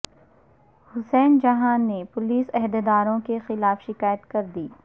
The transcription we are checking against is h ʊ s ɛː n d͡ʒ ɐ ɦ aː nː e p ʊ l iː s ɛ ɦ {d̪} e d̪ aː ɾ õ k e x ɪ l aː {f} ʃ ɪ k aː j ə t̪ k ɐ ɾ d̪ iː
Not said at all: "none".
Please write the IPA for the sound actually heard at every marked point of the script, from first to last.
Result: d̪, f

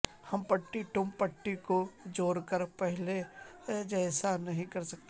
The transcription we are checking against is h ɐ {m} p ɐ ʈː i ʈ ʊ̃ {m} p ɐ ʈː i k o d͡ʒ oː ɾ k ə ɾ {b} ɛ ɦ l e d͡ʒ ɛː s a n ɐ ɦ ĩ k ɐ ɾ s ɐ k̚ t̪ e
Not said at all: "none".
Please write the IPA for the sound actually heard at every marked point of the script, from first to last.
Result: m, m, p

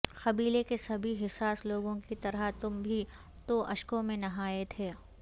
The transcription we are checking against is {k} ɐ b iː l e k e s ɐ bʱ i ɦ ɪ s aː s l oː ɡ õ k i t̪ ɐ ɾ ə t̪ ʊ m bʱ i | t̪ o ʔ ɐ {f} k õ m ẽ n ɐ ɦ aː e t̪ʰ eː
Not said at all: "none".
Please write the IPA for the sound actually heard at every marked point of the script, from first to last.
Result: x, ʃ

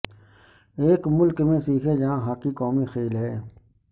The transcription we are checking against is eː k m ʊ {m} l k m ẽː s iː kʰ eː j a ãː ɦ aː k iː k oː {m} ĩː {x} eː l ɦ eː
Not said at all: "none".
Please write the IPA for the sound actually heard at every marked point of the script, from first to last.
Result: none, m, x

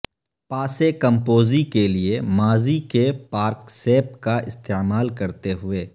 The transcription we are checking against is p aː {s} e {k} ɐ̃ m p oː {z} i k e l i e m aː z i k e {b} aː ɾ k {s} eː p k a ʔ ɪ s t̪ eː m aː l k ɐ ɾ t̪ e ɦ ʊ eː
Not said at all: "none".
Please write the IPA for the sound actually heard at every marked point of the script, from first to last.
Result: s, k, z, p, s

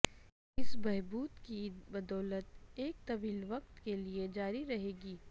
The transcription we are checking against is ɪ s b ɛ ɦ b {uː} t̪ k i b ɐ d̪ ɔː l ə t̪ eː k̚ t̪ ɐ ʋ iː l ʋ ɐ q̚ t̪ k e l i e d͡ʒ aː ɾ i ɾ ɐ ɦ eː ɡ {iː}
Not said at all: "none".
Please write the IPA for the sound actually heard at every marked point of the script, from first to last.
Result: uː, iː

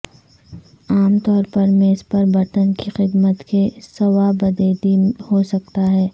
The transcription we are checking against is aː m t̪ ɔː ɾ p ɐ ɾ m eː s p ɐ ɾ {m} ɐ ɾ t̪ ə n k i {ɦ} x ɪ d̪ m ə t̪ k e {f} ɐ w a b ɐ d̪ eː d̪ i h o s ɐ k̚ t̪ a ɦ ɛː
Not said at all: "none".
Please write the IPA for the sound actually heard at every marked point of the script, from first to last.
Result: b, none, s

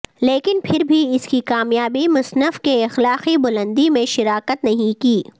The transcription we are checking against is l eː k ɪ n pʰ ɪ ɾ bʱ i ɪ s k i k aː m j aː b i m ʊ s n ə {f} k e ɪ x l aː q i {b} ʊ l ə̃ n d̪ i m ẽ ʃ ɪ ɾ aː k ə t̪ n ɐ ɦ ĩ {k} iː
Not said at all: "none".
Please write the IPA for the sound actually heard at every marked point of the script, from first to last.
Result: f, b, k

